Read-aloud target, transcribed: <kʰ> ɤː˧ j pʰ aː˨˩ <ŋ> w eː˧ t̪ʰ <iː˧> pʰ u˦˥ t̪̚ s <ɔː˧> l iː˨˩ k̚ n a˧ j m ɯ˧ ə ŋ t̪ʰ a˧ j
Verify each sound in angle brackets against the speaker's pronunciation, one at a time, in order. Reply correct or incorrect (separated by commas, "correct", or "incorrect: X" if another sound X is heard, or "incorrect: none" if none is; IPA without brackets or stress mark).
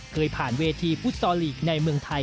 correct, incorrect: n, correct, correct